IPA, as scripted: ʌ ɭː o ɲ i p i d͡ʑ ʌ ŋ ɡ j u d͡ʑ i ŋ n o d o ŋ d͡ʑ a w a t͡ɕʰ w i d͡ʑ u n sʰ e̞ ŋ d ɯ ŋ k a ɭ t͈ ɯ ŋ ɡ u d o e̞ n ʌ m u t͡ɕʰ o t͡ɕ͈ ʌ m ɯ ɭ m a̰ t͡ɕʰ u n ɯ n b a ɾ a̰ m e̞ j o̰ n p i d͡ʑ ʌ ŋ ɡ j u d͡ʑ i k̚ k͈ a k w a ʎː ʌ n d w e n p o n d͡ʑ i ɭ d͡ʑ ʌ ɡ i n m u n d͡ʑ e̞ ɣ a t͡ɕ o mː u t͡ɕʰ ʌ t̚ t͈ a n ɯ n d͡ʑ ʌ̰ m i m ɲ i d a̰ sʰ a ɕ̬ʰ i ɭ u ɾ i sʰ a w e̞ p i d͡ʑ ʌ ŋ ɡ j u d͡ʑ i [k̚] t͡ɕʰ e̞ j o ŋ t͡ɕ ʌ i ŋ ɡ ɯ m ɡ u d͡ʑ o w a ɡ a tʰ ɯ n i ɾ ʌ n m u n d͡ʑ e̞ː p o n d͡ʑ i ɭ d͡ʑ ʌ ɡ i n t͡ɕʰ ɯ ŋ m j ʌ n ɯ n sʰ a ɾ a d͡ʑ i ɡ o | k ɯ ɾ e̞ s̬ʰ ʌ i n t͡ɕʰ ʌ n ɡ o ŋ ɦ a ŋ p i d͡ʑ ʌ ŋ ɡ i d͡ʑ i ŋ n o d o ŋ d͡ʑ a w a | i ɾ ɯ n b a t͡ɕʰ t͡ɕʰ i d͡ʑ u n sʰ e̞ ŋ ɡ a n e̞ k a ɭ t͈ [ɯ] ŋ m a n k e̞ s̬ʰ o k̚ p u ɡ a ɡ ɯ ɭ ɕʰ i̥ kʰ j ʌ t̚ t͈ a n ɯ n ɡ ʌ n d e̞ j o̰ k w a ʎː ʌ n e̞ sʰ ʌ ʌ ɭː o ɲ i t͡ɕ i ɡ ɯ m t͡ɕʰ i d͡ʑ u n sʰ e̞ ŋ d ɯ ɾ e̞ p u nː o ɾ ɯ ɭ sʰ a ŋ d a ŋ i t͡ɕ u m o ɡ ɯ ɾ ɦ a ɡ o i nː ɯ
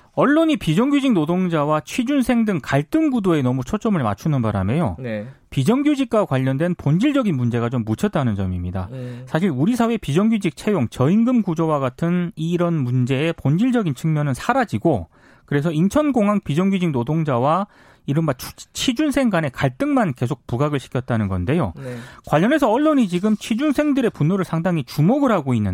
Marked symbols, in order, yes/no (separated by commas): yes, yes